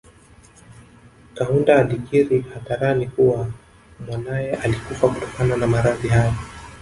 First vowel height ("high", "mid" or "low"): low